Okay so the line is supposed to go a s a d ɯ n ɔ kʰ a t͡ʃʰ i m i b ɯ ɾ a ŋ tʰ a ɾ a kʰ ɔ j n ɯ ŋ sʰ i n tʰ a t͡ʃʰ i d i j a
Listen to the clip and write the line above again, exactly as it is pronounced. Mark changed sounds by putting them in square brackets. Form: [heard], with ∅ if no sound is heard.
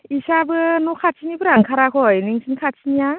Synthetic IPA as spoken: [i] s a [b] ɯ n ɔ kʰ a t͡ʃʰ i [n] i b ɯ ɾ a ŋ [kʰ] a ɾ a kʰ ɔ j n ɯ ŋ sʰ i n [kʰ] a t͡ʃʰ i [n] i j a